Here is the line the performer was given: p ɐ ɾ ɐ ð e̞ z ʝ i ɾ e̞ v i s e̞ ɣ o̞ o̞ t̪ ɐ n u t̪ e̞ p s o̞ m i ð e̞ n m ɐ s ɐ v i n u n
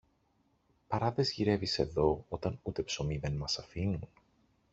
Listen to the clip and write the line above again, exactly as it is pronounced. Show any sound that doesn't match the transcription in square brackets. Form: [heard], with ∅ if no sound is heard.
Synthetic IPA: p ɐ ɾ ɐ ð e̞ z ʝ i ɾ e̞ v i s e̞ [ð] o̞ o̞ t̪ ɐ n u t̪ e̞ p s o̞ m i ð e̞ n m ɐ s ɐ [f] i n u n